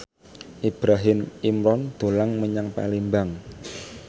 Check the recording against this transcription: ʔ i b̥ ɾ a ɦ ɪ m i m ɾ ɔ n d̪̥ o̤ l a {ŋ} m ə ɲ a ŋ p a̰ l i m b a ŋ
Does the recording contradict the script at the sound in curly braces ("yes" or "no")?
no